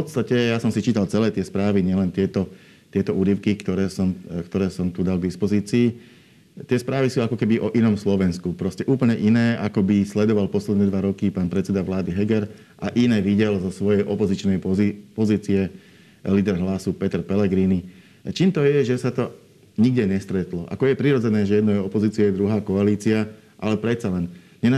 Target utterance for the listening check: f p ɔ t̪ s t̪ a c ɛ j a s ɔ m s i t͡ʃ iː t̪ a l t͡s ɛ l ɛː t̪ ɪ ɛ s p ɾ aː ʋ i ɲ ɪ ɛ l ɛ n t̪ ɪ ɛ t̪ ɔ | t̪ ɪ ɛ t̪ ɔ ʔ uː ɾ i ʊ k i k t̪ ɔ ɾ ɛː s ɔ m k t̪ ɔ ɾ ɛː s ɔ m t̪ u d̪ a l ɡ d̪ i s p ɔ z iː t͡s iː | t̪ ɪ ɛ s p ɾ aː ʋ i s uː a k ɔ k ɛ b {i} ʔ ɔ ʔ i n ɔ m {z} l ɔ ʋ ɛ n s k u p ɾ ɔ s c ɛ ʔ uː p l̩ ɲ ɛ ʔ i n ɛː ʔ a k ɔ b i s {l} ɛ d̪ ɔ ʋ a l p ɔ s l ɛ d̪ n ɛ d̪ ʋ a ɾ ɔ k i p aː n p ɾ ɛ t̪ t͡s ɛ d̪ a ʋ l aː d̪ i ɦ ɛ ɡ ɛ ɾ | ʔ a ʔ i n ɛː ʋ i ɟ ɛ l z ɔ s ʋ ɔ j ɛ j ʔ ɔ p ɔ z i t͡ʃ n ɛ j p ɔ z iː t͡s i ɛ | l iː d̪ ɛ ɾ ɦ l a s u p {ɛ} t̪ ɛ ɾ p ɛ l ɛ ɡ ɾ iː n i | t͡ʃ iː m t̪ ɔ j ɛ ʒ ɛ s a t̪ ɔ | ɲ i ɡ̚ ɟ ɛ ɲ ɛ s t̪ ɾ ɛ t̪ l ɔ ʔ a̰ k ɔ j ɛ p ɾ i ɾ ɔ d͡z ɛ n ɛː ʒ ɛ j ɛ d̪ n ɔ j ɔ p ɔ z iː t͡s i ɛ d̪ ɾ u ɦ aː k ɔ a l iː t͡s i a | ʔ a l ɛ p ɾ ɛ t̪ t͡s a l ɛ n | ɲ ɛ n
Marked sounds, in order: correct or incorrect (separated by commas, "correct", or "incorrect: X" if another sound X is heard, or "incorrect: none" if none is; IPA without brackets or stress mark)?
correct, incorrect: s, correct, correct